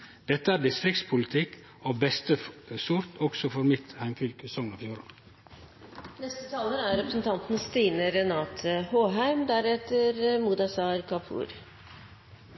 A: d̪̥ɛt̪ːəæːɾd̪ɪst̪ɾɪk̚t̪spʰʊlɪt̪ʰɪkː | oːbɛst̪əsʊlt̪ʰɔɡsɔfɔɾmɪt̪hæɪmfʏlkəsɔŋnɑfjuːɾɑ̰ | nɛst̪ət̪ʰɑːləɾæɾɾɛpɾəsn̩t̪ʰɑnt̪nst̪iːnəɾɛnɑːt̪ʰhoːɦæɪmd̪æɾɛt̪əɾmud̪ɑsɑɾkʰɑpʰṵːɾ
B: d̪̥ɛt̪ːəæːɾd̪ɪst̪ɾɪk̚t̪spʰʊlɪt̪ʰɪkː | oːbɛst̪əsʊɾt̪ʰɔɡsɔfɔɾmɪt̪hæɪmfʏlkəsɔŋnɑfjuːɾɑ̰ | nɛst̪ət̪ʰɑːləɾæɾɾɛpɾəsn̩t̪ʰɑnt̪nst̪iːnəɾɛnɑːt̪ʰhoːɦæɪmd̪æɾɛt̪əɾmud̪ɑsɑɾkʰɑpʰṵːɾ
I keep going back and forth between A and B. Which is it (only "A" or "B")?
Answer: B